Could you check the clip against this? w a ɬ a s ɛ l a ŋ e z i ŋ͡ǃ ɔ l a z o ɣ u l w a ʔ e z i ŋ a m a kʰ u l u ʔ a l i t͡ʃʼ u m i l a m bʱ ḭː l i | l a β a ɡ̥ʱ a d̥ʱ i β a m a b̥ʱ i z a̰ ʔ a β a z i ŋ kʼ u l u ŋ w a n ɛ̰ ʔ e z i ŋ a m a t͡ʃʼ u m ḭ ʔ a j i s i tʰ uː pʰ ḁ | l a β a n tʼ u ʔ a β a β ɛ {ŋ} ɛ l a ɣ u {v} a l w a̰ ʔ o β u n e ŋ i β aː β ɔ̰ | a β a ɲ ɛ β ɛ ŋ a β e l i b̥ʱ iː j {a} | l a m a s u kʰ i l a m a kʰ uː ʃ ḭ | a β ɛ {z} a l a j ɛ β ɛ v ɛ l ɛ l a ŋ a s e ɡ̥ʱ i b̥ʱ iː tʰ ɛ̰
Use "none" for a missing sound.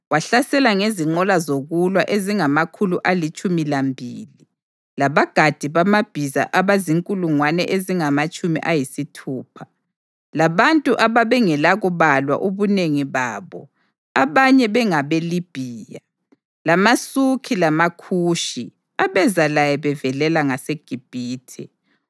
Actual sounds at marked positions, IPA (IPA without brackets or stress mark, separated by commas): ŋ, β, a, z